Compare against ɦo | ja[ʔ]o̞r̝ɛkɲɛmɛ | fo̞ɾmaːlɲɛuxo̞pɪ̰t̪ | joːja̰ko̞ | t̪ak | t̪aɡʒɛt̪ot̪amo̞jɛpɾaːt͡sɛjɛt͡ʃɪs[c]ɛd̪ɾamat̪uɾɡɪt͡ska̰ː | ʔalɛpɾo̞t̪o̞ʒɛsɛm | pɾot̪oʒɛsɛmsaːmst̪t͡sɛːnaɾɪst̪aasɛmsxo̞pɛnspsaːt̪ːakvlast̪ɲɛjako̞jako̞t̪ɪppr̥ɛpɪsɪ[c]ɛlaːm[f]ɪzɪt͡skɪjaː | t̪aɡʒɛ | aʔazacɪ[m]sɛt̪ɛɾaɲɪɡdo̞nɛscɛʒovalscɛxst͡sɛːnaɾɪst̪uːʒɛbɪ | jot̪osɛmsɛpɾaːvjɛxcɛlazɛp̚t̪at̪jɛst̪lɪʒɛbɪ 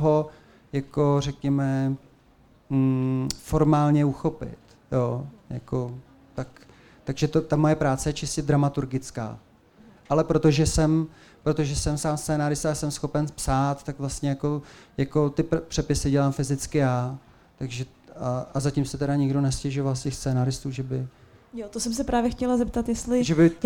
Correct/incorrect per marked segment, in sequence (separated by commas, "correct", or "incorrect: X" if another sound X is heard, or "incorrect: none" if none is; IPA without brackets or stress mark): incorrect: k, correct, incorrect: ɟ, correct, correct